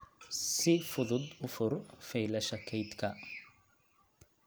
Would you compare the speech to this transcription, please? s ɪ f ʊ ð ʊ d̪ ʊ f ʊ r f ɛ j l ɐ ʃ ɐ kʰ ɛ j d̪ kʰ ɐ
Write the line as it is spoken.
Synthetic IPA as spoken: s ɪ f ʊ ð ʊ d̪ ʊ f ʊ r f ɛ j l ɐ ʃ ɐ kʰ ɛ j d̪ kʰ ɐ